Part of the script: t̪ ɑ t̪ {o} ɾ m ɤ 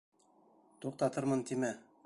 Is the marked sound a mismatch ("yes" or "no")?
yes